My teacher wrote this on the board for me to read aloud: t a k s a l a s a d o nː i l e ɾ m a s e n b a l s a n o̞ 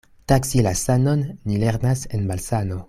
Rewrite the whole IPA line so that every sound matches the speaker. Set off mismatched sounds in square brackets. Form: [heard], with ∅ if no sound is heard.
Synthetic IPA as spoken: t a k s [i] l a s a [n] o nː i l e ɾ [n] a s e n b a l s a n o̞